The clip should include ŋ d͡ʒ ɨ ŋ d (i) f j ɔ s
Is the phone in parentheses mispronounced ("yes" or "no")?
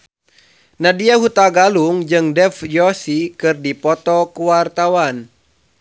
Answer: yes